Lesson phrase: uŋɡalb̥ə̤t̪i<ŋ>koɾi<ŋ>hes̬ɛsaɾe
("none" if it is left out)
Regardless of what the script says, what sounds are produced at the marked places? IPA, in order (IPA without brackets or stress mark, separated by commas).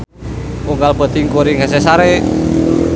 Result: ŋ, ŋ